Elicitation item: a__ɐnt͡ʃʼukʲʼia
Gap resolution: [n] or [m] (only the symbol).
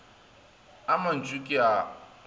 m